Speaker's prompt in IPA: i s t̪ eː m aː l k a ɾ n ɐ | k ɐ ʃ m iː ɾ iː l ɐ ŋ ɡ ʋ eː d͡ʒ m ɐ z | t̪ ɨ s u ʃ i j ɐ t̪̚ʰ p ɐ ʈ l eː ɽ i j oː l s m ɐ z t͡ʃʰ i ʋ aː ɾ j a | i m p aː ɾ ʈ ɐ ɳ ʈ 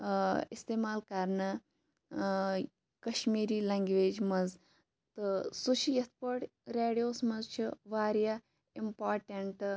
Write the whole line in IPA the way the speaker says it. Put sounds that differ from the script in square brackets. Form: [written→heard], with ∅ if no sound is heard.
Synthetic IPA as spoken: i s t̪ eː m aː l k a ɾ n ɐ | k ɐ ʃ m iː ɾ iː l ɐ ŋ ɡ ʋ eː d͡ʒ m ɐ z | t̪ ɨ s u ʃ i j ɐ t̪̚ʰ p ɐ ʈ [l→ɾ] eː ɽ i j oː [l→∅] s m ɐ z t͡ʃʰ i ʋ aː ɾ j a | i m p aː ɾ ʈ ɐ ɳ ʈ